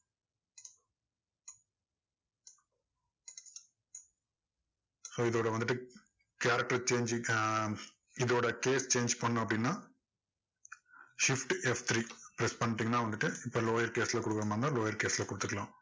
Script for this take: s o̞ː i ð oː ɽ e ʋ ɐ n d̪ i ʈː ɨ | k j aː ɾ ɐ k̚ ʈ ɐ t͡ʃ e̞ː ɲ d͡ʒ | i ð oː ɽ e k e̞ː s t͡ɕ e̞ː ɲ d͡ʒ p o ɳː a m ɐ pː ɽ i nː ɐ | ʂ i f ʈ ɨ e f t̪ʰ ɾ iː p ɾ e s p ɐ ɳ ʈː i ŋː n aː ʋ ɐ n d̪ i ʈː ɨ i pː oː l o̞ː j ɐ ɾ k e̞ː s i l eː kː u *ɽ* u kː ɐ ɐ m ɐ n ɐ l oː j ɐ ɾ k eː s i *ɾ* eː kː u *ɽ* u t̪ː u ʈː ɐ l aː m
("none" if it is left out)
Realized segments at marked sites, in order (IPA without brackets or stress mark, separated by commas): ɽ, l, ɽ